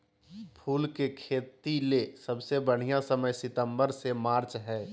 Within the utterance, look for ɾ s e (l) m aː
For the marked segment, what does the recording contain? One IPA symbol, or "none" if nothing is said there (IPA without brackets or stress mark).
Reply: none